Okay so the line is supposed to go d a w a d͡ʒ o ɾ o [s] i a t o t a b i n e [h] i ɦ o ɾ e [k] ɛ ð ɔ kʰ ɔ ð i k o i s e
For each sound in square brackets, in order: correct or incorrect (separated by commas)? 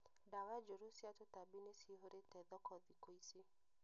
correct, incorrect, incorrect